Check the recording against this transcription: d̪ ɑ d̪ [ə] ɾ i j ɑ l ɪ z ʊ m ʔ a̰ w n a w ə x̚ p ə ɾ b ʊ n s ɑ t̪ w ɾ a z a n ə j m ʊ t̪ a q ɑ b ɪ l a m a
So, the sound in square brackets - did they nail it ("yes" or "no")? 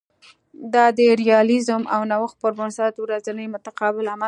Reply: yes